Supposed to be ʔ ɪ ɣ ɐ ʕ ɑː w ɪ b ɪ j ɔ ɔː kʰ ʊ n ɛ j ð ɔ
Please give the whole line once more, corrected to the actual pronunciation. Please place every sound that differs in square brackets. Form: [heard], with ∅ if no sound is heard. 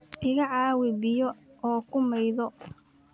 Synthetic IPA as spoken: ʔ ɪ ɣ ɐ ʕ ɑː w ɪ b ɪ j ɔ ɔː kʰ ʊ [m] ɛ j ð ɔ

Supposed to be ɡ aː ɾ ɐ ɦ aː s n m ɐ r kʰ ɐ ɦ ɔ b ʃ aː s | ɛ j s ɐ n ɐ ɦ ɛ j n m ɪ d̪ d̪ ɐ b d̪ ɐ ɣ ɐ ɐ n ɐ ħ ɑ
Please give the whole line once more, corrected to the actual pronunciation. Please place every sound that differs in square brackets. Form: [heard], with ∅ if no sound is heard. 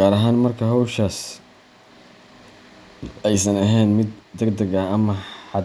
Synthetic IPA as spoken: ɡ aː ɾ ɐ ɦ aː [∅] n m ɐ r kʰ ɐ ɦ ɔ [w] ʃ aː s | ɛ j s ɐ n ɐ ɦ ɛ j n m ɪ d̪ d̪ ɐ [ɡ] d̪ ɐ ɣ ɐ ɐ [m] ɐ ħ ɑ

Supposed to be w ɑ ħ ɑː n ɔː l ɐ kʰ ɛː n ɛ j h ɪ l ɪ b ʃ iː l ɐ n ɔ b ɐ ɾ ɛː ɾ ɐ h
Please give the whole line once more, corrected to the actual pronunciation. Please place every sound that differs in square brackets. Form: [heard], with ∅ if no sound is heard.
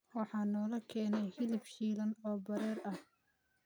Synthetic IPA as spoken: w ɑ ħ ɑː n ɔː l ɐ kʰ ɛː n ɛ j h ɪ l ɪ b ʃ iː l ɐ n [ɔː] b ɐ ɾ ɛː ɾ ɐ h

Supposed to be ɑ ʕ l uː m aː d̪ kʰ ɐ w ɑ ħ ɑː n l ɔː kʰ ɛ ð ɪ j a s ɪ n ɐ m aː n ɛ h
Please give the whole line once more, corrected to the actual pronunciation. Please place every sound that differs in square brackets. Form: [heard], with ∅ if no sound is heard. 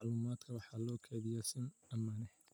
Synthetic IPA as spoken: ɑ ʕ l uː m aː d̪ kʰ ɐ w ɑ ħ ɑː [∅] l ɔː kʰ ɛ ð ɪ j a s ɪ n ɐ m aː n ɛ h

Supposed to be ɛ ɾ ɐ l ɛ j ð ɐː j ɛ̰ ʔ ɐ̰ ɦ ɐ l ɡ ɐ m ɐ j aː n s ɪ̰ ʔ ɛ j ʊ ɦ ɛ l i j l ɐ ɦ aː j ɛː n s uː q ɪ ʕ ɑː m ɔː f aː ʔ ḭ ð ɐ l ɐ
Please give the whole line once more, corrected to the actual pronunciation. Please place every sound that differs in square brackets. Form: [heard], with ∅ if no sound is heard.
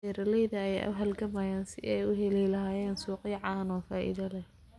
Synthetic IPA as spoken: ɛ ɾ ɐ l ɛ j ð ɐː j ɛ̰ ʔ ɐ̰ ɦ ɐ l ɡ ɐ m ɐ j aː n s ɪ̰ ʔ ɛ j ʊ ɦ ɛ l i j l ɐ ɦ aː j ɛː n s uː q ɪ ʕ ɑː [n] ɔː f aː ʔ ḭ ð ɐ l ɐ

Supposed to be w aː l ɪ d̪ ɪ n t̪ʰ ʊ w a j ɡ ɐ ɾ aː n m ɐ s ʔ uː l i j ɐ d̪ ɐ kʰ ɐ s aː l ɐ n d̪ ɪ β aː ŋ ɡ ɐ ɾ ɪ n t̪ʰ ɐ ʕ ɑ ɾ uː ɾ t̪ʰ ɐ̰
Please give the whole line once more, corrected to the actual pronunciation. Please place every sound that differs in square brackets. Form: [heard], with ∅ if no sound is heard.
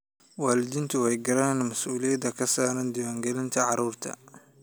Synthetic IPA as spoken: w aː l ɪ d̪ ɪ n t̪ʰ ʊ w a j ɡ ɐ ɾ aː n m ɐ s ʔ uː l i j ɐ d̪ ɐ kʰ ɐ s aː [ɾ] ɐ n d̪ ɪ [w] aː ŋ ɡ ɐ [l] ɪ n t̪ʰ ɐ ʕ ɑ ɾ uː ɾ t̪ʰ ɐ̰

